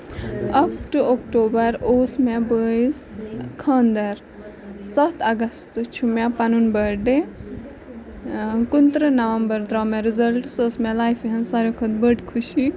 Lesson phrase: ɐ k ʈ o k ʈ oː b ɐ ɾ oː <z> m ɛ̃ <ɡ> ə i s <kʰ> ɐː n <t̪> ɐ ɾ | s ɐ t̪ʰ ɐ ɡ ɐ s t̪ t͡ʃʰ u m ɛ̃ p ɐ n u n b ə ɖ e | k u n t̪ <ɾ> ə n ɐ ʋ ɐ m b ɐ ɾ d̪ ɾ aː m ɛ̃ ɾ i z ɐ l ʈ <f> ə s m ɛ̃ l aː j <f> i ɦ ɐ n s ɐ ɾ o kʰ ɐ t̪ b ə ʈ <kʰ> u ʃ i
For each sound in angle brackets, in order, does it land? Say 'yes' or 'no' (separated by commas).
no, no, yes, no, yes, no, yes, yes